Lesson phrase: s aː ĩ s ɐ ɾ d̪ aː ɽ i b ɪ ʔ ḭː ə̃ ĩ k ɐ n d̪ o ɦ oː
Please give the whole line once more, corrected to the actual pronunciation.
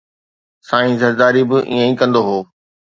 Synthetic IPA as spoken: s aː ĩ z ɐ ɾ d̪ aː ɾ i b ɪ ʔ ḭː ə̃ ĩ k ɐ̃ n d̪ o ɦ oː